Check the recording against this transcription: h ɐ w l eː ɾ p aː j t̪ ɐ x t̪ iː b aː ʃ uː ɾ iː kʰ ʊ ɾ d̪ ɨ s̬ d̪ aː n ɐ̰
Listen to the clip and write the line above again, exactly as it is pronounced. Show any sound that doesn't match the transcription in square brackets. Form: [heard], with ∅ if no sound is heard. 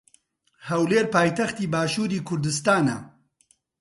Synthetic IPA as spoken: h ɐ w l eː ɾ p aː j t̪ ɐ x t̪ iː b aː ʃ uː ɾ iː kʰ ʊ ɾ d̪ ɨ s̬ [t̪] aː n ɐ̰